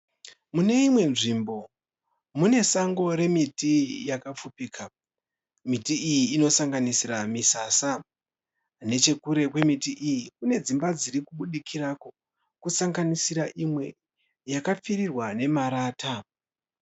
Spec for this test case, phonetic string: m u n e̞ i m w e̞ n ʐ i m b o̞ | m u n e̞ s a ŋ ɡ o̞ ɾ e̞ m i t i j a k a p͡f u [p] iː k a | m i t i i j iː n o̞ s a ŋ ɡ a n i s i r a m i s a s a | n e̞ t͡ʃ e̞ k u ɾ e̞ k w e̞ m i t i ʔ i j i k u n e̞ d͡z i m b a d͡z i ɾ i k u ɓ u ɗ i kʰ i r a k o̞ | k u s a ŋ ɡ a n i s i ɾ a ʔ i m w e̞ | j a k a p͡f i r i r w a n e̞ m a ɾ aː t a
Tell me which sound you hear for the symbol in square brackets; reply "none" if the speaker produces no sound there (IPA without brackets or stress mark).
p